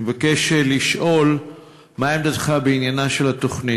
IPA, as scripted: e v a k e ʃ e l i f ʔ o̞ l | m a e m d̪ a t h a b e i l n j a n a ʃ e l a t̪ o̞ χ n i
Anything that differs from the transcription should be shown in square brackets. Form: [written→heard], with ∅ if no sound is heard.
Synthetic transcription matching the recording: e v a k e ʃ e l i [f→ʃ] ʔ o̞ l | m a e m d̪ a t [h→χ] a b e i [l→∅] n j a n a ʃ e l a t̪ o̞ χ n i